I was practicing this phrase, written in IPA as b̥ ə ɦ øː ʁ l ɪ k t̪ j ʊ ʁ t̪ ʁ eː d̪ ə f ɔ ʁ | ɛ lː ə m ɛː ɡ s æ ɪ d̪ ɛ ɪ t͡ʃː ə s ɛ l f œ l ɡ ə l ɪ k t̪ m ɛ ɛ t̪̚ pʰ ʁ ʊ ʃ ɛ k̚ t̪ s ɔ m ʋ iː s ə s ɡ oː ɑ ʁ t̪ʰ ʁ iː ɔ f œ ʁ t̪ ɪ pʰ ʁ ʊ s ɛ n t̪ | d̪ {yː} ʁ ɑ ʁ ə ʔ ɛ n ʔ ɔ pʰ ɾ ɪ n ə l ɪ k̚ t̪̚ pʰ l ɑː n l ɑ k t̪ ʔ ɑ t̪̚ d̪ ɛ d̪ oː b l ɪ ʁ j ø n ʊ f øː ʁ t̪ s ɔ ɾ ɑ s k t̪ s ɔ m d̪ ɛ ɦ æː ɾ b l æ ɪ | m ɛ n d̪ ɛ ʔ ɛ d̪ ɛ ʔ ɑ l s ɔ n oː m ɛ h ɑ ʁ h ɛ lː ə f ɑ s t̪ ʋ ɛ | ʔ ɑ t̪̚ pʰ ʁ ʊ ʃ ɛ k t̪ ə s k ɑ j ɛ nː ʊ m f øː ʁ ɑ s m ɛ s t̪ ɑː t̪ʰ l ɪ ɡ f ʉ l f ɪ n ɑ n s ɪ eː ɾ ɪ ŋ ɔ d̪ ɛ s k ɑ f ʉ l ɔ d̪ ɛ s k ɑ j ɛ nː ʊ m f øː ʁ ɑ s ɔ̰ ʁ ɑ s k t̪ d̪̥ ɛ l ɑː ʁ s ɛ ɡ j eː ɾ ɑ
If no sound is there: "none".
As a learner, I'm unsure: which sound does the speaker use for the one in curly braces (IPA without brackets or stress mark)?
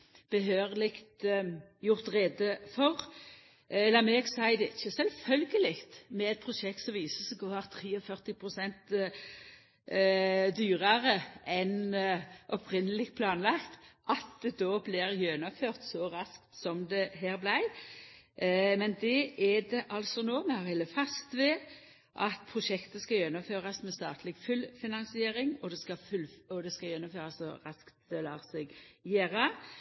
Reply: yː